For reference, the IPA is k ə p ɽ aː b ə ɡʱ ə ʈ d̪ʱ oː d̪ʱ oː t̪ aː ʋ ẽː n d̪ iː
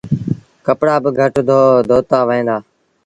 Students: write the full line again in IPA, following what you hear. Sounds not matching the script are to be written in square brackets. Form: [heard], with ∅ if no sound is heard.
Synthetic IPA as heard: k ə p ɽ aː b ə ɡʱ ə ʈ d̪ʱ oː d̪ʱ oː t̪ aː ʋ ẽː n d̪ [aː]